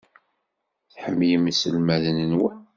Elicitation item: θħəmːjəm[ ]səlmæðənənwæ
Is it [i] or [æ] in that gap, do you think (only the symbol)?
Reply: i